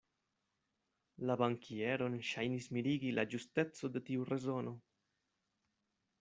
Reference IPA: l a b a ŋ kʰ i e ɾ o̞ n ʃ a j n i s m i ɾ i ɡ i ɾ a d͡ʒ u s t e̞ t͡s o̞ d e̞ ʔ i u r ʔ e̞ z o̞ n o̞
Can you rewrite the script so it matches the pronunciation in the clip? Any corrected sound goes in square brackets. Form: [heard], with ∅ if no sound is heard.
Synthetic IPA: l a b a ŋ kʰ i e ɾ o̞ n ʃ a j n i s m i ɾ i ɡ i [l] a d͡ʒ u s t e̞ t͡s o̞ d e̞ [t] i u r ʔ e̞ z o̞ n o̞